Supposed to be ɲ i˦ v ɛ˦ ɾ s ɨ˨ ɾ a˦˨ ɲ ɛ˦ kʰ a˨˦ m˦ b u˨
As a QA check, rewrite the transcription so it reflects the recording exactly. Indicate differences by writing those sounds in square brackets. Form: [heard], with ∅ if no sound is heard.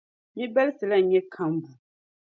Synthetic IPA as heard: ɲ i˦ [b] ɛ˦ [l] s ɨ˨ [l] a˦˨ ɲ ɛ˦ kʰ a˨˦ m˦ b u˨